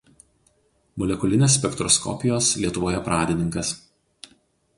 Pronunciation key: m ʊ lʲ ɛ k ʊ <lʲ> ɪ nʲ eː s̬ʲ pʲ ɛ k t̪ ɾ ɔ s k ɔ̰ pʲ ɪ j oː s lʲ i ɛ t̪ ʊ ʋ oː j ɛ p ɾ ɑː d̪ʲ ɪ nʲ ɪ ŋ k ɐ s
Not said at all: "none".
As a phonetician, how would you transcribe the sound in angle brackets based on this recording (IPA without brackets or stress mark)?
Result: lʲ